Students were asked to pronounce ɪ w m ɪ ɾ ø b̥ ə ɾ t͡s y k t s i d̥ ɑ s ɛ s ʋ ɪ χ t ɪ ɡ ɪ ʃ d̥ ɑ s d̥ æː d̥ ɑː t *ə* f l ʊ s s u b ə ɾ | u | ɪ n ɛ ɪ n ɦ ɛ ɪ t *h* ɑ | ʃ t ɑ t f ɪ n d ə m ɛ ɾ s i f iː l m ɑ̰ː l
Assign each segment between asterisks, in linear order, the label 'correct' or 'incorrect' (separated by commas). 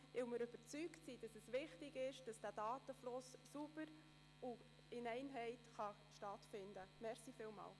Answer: correct, incorrect